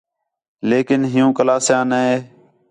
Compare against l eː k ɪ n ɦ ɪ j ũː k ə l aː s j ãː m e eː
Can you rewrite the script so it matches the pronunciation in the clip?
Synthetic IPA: l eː k ɪ n ɦ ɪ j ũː k ə l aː s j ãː n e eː